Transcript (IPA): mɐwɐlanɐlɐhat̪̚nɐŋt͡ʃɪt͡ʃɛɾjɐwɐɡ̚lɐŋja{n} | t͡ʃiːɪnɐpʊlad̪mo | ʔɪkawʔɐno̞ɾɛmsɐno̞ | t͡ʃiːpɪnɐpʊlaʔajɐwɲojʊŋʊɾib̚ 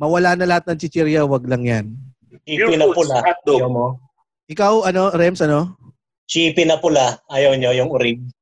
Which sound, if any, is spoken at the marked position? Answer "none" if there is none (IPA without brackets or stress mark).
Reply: n